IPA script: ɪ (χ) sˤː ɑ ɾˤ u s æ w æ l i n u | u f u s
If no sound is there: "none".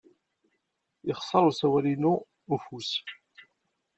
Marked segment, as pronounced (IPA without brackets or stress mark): χ